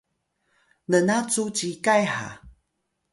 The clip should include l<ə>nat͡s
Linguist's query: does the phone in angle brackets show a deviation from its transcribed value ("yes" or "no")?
no